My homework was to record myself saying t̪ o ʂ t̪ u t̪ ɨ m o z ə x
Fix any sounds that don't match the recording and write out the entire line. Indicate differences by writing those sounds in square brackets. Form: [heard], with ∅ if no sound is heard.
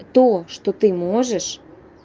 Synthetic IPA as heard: t̪ o [ʃ] t̪ [o] t̪ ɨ m o [ʒ] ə [ʃ]